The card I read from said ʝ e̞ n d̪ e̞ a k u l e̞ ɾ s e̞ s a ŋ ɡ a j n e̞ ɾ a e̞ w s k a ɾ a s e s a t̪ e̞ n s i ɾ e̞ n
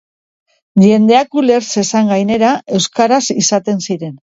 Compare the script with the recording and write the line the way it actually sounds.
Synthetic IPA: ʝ e̞ n d̪ e̞ a k u l e̞ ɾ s e̞ s a ŋ ɡ a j n e̞ ɾ a e̞ w s k a ɾ a s i s a t̪ e̞ n s i ɾ e̞ n